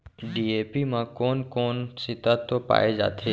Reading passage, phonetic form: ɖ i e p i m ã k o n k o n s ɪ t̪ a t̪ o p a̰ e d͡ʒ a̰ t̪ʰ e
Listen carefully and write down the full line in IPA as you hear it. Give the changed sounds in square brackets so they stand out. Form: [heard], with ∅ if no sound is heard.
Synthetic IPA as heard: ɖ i e p i m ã k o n k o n s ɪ t̪ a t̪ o p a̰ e d͡ʒ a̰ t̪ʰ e